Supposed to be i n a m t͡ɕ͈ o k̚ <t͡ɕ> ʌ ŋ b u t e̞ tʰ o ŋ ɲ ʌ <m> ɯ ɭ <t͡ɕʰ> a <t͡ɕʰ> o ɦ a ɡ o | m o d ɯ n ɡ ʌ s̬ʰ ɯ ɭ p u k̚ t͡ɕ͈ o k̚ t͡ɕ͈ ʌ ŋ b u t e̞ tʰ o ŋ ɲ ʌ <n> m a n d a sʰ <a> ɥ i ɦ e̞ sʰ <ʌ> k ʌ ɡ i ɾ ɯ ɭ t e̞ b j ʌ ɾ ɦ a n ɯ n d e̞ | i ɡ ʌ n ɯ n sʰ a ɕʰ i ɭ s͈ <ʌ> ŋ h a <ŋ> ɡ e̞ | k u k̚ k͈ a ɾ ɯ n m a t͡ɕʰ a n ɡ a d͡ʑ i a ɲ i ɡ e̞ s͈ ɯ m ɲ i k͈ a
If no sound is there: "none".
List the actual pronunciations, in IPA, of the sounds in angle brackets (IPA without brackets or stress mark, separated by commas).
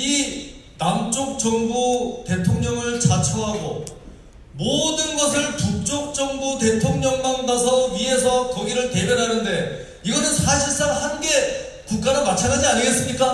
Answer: t͡ɕ, ŋ, t͡ɕ, t͡ɕʰ, ŋ, ʌ, ʌ, a, n